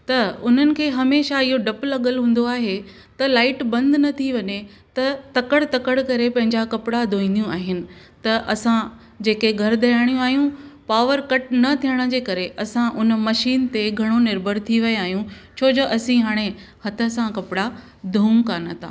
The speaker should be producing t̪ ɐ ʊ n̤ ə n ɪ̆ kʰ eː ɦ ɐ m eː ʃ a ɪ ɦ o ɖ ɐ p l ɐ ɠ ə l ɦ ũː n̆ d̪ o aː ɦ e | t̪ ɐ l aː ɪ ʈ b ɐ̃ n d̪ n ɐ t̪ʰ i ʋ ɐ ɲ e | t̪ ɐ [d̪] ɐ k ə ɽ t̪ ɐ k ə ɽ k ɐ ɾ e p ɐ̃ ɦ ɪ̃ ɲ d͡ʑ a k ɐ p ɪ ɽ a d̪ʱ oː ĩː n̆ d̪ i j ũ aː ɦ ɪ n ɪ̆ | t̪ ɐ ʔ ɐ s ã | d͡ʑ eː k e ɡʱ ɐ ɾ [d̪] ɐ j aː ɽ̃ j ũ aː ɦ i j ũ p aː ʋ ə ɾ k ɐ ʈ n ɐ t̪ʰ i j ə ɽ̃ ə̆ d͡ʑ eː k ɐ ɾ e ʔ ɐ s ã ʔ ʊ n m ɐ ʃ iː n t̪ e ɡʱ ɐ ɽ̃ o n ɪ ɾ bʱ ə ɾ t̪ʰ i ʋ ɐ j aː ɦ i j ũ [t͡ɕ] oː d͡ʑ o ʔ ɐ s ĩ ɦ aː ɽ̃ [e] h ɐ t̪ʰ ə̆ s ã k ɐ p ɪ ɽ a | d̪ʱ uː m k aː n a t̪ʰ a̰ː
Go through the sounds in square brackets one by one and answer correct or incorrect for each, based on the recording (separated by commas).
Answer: incorrect, correct, incorrect, correct